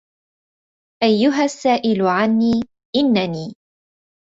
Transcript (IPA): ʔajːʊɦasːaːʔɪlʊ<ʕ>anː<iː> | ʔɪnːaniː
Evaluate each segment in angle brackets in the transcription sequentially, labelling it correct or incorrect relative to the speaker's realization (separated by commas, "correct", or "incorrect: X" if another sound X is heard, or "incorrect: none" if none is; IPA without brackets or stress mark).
correct, correct